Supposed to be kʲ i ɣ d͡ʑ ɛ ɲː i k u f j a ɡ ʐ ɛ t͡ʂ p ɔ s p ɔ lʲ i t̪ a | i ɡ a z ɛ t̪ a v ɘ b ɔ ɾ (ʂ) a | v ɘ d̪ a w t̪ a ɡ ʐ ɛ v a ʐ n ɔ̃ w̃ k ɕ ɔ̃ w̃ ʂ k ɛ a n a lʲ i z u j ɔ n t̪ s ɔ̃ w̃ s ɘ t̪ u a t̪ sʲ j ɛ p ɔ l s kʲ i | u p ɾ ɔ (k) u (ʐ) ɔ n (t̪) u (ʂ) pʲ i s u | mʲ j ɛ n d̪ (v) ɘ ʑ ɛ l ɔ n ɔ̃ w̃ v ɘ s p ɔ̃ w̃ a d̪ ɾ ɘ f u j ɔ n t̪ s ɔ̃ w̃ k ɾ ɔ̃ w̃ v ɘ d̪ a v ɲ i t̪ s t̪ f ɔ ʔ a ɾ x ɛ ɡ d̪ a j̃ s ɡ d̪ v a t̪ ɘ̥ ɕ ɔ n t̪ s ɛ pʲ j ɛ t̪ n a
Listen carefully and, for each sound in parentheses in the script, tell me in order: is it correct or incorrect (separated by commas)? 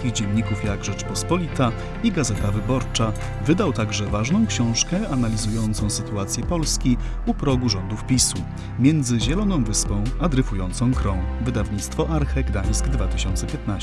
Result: incorrect, incorrect, correct, incorrect, incorrect, incorrect